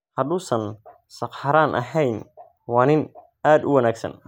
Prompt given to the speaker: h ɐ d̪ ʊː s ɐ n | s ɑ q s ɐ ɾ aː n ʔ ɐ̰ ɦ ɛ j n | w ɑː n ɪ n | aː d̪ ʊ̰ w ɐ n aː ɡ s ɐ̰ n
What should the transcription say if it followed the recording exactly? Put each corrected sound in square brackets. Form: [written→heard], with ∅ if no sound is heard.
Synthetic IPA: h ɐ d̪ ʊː s ɐ n | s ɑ q [s→ħ] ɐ ɾ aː n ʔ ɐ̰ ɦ ɛ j n | w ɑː n ɪ n | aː d̪ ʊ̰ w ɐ n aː ɡ s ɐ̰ n